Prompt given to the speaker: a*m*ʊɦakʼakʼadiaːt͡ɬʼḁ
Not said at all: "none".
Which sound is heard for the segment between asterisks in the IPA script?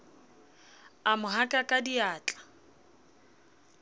m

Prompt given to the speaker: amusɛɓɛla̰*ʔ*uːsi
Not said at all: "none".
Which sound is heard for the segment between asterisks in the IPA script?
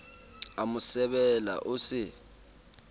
ʔ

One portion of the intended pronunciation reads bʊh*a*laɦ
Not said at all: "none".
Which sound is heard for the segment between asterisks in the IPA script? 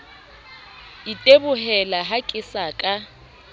ɛ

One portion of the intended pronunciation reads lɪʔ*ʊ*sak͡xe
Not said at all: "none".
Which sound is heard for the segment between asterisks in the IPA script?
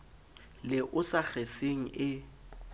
ʊ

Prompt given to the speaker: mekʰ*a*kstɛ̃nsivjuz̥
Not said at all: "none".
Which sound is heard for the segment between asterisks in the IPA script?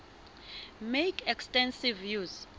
ɛ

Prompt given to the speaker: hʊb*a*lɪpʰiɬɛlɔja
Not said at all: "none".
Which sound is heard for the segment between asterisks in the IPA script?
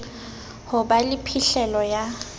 a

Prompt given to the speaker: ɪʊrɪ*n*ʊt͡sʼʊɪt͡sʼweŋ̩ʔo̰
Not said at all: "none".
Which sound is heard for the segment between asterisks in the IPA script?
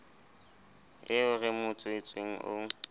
m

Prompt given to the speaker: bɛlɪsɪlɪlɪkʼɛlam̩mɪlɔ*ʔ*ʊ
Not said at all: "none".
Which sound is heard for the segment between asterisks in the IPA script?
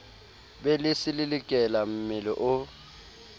ʔ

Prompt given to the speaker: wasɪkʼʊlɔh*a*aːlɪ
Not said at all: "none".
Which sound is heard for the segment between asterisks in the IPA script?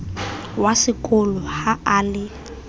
a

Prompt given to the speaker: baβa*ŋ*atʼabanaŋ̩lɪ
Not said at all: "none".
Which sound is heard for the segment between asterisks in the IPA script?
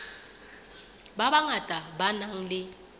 ŋ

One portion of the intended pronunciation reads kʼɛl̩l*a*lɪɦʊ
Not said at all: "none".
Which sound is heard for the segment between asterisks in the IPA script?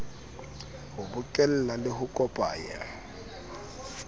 a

